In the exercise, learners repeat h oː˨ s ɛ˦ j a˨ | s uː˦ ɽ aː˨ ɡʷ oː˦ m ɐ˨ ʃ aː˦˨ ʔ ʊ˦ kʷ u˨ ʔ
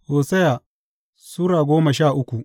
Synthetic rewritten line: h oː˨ s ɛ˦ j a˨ | s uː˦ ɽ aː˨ ɡʷ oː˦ m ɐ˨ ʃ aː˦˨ ʔ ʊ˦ kʷ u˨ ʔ